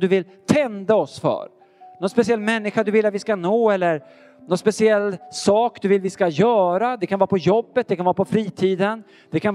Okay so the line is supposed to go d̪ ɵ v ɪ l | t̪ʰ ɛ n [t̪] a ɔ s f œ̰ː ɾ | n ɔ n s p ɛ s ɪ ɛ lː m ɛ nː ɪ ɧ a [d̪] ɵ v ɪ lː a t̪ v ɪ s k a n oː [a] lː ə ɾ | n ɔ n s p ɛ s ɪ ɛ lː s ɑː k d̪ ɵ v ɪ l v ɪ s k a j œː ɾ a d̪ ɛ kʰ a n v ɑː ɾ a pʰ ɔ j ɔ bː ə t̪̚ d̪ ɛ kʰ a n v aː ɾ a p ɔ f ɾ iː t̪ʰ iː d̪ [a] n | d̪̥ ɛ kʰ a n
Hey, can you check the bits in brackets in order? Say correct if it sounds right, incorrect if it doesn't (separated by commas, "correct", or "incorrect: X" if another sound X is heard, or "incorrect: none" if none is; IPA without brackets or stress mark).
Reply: incorrect: d̪, correct, incorrect: ɛ, incorrect: ə